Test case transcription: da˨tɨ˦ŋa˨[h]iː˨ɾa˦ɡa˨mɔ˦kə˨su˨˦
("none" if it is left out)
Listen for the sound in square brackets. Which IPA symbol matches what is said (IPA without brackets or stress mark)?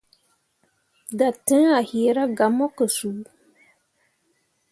h